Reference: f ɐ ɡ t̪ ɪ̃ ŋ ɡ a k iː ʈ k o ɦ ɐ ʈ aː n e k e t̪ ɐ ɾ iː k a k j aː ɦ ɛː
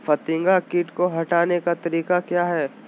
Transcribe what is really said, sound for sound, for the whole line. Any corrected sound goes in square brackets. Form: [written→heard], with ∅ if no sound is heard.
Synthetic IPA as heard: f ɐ [ɡ→∅] t̪ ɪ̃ ŋ ɡ a k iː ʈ k o ɦ ɐ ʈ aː n e k [e→a] t̪ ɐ ɾ iː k a k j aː ɦ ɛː